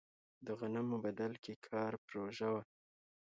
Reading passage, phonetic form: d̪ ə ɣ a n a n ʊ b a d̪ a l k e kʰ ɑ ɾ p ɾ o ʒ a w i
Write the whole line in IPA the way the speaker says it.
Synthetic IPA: d̪ ə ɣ a n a m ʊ b a d̪ a l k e kʰ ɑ ɾ p ɾ o ʒ a w a